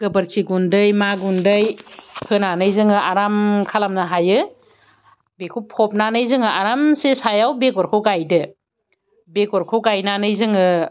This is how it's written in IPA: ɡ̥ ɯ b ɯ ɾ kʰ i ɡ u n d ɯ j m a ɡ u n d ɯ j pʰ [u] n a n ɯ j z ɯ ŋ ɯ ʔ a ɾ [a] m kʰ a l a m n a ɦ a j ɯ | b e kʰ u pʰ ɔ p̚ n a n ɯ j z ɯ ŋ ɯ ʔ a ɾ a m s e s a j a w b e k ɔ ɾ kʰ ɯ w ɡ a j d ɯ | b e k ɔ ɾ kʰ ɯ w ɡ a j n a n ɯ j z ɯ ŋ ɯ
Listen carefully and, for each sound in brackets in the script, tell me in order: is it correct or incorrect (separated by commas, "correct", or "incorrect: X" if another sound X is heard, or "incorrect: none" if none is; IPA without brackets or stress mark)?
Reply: incorrect: ɯ, correct